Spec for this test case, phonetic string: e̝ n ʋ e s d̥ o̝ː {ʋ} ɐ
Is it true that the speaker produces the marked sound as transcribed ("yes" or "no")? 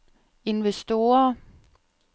no